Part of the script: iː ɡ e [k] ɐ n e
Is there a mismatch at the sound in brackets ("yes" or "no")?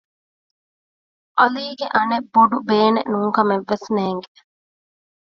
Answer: yes